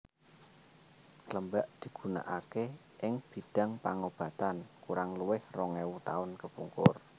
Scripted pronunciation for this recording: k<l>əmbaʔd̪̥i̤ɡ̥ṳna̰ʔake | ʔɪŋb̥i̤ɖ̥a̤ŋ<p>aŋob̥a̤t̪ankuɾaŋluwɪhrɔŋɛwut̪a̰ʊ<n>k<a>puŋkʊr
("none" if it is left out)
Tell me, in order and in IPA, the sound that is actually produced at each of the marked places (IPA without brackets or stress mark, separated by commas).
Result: l, p, n, ə